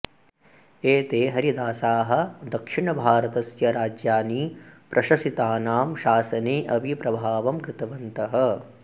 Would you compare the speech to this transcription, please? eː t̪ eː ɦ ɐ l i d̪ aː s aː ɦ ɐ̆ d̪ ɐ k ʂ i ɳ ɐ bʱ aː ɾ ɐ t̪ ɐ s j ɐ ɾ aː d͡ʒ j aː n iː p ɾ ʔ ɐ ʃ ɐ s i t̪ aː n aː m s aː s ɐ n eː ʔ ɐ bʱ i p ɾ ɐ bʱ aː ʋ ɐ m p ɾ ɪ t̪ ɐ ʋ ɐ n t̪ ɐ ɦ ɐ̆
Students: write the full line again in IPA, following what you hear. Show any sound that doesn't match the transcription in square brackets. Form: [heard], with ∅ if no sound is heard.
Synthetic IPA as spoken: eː t̪ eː ɦ ɐ [ɾ] i d̪ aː s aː ɦ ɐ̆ d̪ ɐ k ʂ i ɳ ɐ bʱ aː ɾ ɐ t̪ ɐ s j ɐ ɾ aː d͡ʒ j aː n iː p ɾ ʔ ɐ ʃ ɐ s i t̪ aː n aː m [ʃ] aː s ɐ n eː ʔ ɐ bʱ i p ɾ ɐ bʱ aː ʋ ɐ m [k] ɾ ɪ t̪ ɐ ʋ ɐ n t̪ ɐ ɦ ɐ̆